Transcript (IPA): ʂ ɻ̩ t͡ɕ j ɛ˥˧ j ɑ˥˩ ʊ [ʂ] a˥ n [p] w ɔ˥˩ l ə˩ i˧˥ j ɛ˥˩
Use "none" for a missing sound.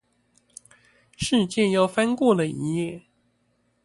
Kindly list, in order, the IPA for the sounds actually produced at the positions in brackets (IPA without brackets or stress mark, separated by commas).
f, k